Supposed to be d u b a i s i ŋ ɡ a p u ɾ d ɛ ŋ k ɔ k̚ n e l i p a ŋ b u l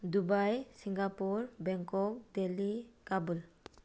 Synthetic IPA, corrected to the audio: d u b a j s i ŋ ɡ a p u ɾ b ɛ ŋ k ɔ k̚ d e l i k a b u l